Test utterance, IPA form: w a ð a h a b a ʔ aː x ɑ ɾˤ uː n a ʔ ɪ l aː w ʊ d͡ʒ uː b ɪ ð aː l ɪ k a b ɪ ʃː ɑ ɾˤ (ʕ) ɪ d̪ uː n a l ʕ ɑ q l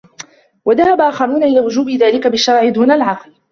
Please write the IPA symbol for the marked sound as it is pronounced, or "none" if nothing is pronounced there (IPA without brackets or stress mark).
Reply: ʕ